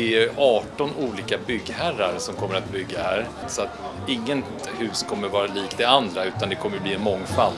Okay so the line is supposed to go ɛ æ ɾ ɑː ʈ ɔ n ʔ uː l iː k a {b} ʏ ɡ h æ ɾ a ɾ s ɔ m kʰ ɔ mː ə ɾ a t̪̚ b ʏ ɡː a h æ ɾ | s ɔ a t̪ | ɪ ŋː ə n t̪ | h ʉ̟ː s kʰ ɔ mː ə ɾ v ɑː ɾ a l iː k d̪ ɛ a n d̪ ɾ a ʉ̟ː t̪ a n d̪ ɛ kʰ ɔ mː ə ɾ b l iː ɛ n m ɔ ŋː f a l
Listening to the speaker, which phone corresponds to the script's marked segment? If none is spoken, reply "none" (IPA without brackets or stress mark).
b